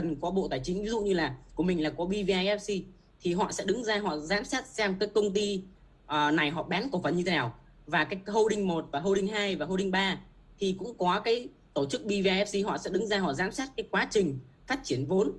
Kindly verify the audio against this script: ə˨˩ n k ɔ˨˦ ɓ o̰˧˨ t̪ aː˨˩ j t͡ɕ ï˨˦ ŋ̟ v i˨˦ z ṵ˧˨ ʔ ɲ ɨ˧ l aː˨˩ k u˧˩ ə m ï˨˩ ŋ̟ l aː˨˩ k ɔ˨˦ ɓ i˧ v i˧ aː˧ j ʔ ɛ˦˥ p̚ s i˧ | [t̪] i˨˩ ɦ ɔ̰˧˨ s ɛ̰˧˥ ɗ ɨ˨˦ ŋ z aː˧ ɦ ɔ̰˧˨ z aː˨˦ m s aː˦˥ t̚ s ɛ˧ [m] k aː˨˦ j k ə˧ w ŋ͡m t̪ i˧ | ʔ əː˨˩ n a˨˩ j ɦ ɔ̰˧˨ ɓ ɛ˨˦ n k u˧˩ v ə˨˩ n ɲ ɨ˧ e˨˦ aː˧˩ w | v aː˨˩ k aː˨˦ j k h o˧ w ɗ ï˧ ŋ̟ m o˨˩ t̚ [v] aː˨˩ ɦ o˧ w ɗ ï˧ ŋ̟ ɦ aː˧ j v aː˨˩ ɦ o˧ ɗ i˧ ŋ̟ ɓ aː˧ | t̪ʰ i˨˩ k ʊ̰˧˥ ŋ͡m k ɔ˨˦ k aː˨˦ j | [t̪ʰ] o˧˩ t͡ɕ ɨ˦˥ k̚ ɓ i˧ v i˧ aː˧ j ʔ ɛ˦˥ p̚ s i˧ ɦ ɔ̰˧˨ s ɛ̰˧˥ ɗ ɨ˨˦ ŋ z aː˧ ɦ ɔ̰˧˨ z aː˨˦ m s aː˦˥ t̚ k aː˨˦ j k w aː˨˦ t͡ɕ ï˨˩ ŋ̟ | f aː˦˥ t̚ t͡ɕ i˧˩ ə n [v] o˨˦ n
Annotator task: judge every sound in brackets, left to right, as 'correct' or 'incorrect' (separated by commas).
incorrect, correct, correct, incorrect, correct